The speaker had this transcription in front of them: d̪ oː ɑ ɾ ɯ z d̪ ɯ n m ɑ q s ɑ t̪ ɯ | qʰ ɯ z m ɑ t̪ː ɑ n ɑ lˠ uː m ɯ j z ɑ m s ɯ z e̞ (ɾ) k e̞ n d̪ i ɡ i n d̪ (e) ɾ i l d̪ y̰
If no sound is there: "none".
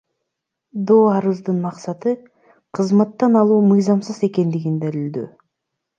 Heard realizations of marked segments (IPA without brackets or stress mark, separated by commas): none, æ